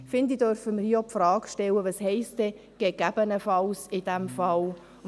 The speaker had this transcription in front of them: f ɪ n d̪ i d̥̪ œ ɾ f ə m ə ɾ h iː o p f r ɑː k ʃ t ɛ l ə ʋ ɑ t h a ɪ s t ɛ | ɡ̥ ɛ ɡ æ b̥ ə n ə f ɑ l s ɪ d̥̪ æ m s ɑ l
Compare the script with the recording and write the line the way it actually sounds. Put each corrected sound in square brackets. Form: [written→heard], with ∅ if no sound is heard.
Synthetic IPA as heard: f ɪ n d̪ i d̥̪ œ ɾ f ə m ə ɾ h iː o p f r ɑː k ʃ t ɛ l ə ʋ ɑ [t→s] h [a→ɛ] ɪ s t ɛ | ɡ̥ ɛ ɡ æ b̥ ə n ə f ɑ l s ɪ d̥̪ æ m [s→f] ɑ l